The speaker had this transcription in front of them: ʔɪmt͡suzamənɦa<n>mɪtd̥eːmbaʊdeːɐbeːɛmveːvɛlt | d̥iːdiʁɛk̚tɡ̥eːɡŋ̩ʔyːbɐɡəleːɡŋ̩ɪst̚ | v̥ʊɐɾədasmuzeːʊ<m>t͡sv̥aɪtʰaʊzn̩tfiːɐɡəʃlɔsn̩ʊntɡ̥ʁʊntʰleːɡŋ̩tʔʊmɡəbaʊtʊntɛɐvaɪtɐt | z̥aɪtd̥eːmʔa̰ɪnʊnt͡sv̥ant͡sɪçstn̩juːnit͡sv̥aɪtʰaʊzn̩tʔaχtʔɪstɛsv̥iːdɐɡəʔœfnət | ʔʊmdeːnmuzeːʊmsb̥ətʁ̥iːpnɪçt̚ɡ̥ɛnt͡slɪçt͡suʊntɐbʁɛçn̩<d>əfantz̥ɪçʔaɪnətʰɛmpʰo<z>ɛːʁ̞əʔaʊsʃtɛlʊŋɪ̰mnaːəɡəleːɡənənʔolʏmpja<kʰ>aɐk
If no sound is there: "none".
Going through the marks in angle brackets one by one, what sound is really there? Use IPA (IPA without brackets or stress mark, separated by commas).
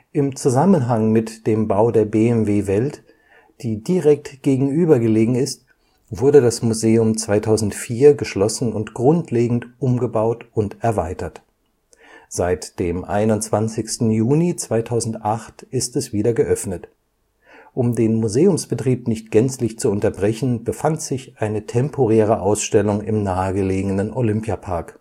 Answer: ŋ, m, b, ʁ, pʰ